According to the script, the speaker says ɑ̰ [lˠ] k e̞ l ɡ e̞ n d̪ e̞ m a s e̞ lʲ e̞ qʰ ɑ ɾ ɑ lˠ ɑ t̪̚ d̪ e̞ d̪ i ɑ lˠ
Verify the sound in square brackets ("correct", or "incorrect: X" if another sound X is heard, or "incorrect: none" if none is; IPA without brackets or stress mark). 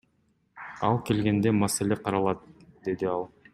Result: correct